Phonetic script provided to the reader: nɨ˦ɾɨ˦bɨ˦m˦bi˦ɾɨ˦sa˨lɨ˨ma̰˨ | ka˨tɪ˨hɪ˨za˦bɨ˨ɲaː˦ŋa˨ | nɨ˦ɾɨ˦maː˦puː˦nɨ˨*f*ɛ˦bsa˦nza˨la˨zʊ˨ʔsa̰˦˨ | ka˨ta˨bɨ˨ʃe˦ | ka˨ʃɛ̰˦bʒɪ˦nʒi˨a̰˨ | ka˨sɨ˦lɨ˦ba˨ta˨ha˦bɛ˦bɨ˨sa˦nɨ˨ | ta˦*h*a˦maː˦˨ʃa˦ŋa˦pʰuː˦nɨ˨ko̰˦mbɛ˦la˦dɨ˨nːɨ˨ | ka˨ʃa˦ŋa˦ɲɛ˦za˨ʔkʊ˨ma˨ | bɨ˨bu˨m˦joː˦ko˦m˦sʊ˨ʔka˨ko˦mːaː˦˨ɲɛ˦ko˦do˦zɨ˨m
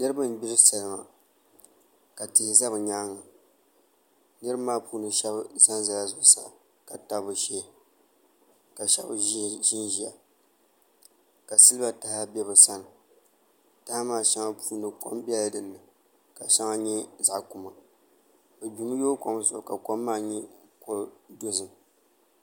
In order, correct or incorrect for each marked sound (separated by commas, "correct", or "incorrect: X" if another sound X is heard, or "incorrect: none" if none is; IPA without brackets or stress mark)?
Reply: incorrect: ʃ, correct